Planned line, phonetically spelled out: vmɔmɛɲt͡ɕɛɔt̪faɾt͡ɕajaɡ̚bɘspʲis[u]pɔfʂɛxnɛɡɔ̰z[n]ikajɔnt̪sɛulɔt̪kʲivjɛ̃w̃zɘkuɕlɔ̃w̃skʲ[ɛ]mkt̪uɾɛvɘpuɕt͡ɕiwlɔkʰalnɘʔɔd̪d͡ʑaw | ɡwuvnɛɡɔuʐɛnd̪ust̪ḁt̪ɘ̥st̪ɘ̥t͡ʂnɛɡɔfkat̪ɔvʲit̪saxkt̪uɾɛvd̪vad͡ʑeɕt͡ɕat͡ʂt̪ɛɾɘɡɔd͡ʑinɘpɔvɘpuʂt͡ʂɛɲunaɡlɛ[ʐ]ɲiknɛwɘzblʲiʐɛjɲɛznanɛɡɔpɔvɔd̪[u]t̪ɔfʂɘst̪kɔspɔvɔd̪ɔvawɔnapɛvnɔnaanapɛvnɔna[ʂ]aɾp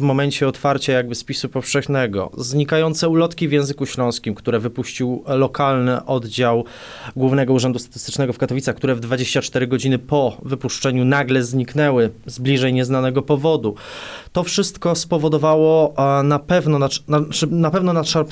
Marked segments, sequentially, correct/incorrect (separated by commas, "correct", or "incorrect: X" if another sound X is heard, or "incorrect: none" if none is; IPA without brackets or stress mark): correct, incorrect: ɲ, incorrect: i, incorrect: z, correct, correct